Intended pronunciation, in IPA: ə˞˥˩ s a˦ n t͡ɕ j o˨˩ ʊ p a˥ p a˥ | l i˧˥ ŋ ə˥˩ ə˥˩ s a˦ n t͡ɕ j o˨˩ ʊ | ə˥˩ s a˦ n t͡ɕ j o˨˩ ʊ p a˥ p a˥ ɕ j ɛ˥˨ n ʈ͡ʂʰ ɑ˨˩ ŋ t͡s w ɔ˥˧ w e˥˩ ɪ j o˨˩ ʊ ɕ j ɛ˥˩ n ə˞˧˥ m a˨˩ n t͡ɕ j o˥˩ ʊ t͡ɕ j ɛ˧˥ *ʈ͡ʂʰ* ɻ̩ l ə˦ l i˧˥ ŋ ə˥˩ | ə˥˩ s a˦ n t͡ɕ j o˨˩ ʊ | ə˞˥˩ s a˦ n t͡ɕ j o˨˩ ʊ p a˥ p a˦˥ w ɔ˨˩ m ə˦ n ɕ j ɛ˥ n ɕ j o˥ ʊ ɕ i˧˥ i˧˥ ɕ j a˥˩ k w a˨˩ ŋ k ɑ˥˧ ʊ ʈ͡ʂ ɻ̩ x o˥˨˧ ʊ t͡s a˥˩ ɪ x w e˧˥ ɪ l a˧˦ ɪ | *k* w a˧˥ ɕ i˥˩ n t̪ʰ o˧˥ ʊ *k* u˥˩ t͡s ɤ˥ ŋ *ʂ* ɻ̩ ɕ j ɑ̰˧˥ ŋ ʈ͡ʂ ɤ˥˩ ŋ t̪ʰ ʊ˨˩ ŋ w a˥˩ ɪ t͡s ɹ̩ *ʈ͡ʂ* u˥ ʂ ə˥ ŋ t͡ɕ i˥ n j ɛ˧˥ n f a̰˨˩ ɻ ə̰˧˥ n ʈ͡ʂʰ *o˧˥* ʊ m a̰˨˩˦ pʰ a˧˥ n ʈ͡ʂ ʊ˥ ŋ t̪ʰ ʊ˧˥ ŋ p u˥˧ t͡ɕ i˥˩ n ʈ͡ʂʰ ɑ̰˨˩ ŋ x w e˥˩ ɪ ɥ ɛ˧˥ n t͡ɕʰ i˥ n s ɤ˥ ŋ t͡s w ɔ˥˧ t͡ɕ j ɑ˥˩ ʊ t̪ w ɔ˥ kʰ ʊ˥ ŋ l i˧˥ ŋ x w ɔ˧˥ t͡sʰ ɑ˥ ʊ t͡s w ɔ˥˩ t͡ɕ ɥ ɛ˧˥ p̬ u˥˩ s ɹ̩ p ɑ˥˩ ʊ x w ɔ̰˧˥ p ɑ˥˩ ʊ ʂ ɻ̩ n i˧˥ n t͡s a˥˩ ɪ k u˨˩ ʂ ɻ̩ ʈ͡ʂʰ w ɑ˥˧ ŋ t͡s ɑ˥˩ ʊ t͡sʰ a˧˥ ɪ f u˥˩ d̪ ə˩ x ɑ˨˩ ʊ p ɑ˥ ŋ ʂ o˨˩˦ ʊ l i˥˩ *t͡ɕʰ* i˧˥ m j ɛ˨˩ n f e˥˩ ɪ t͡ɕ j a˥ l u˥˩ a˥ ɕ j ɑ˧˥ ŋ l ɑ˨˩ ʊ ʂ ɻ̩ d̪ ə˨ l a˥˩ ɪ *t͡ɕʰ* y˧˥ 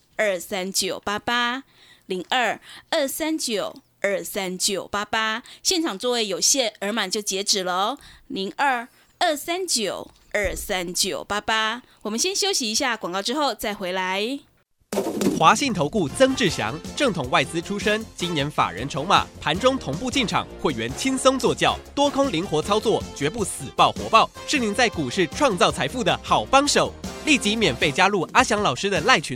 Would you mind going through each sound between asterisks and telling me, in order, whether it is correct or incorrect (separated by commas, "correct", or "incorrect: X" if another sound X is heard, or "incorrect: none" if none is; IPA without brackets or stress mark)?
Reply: incorrect: ʈ͡ʂ, incorrect: x, correct, incorrect: ʈ͡ʂ, incorrect: ʈ͡ʂʰ, correct, incorrect: t͡ɕ, correct